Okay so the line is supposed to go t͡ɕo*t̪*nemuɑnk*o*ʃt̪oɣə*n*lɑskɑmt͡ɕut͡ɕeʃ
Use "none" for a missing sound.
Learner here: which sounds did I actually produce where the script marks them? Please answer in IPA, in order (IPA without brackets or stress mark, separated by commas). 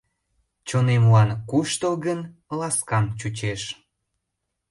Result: none, u, n